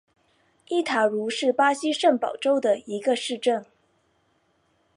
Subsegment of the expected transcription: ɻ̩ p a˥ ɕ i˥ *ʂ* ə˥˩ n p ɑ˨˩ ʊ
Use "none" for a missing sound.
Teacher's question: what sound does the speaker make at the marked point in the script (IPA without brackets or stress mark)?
ʂ